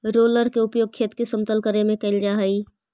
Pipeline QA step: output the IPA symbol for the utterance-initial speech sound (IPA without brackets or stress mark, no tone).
ɾ